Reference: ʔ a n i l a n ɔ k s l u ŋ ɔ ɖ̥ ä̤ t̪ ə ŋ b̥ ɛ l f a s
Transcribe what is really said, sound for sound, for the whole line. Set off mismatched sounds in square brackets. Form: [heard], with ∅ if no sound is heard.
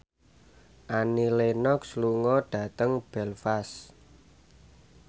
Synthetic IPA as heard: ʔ a n i l [e] n ɔ k s l u ŋ ɔ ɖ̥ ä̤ t̪ ə ŋ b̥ ɛ l f a s